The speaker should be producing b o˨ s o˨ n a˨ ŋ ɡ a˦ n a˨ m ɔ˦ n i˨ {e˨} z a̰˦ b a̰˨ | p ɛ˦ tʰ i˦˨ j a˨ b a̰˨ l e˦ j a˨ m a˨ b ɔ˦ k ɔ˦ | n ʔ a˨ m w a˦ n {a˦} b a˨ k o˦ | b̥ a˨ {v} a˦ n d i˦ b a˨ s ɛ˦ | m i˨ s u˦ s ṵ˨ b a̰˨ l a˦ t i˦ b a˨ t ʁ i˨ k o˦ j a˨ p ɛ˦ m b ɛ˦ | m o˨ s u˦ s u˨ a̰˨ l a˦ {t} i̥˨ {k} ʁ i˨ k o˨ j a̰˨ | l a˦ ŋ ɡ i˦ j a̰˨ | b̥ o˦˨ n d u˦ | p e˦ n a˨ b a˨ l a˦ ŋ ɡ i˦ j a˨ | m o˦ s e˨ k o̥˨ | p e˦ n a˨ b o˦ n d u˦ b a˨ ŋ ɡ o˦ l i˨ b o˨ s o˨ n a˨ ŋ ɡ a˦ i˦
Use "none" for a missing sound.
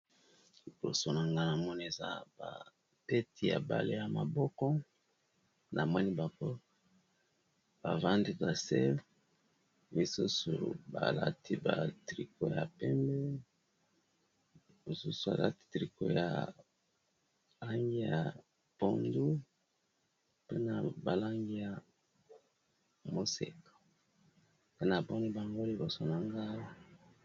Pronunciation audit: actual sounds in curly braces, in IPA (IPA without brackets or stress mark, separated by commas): e˨, i˦, v, t, t